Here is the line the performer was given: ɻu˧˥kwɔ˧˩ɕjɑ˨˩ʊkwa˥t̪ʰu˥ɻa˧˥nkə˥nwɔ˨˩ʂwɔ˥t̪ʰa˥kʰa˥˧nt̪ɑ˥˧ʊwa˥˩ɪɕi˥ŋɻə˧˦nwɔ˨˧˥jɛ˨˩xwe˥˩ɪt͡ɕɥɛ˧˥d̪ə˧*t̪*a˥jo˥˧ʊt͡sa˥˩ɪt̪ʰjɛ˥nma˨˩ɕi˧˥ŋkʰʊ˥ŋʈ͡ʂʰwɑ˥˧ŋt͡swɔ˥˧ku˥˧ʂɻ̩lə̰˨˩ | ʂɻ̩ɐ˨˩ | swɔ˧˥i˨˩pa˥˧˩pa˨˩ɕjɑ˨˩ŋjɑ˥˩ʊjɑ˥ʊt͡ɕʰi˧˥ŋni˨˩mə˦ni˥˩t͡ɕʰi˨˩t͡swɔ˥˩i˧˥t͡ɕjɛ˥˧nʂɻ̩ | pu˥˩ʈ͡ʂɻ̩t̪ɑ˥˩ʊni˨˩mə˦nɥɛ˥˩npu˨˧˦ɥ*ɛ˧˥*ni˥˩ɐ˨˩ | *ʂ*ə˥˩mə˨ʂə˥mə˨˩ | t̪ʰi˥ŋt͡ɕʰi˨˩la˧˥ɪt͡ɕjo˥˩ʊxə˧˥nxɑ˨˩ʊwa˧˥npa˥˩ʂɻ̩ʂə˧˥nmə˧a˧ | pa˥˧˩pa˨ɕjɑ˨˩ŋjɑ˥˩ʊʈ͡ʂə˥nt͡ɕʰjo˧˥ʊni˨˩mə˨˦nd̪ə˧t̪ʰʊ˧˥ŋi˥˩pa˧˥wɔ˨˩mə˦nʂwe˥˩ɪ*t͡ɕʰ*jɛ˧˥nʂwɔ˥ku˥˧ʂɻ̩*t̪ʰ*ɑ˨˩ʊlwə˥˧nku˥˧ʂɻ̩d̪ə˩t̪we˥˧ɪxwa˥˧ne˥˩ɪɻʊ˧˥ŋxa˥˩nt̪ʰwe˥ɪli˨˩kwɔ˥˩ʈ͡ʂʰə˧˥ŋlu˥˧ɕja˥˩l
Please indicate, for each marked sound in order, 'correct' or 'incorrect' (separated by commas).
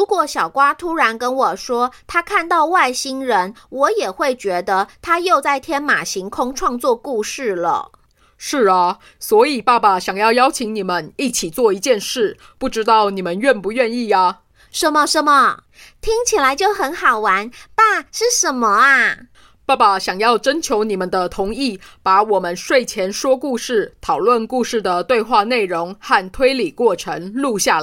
incorrect, incorrect, correct, correct, correct